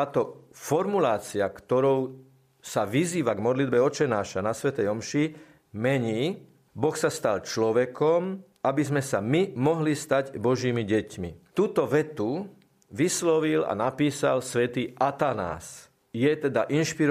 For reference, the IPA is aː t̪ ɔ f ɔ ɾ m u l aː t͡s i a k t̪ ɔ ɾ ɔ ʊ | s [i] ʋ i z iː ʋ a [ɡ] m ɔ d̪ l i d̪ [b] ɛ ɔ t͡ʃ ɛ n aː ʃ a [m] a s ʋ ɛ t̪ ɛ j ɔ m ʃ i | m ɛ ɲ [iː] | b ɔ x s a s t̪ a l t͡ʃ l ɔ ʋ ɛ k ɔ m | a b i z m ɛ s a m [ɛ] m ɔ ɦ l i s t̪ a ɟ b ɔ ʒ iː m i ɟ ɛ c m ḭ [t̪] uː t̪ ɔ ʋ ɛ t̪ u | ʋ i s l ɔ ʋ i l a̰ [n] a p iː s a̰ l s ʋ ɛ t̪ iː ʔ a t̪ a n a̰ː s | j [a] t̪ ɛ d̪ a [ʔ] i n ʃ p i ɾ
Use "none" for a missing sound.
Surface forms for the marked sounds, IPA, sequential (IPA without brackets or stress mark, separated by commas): a, ɡ, b, n, iː, i, t̪, n, ɛ, ʔ